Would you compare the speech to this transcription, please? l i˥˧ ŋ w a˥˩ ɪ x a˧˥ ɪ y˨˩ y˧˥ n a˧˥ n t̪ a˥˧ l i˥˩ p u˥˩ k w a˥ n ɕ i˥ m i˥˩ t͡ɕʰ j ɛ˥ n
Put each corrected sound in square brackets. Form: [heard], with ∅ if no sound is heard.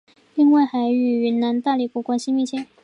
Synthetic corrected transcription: l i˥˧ ŋ w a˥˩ ɪ x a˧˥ ɪ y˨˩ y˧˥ n a˧˥ n t̪ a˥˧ l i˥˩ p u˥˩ k w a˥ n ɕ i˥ m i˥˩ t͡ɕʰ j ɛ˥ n